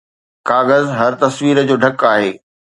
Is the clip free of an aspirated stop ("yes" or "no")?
yes